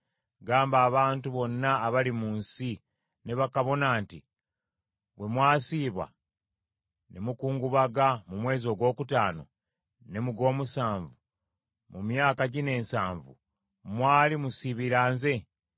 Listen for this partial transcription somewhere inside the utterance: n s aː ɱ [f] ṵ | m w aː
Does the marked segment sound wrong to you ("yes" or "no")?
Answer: yes